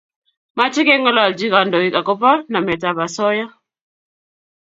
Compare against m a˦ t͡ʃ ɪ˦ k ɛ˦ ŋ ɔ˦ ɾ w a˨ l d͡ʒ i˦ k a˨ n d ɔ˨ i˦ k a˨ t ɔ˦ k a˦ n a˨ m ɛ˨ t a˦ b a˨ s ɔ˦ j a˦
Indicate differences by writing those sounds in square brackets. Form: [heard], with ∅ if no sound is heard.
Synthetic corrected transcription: m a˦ t͡ʃ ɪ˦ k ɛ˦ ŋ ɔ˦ [l] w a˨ l d͡ʒ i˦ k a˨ n d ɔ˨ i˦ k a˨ [k] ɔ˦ [p] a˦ n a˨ m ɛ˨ t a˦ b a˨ s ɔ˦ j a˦